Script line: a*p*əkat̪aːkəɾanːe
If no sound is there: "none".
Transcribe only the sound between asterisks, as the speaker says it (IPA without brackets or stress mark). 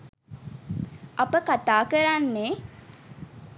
p